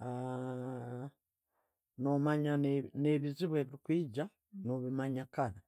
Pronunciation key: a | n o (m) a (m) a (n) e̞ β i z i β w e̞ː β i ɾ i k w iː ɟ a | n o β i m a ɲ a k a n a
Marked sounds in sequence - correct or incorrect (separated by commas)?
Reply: correct, incorrect, correct